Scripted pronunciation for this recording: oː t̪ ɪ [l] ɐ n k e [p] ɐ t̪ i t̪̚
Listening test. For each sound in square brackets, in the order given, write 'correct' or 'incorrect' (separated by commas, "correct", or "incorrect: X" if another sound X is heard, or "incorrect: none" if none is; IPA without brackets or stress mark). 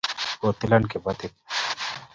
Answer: correct, incorrect: b